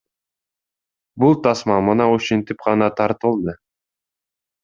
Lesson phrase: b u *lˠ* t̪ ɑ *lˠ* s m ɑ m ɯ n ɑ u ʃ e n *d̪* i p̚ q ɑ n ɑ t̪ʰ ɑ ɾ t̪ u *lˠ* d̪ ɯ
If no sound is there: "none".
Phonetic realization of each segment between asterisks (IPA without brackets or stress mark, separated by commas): lˠ, none, t̪, lˠ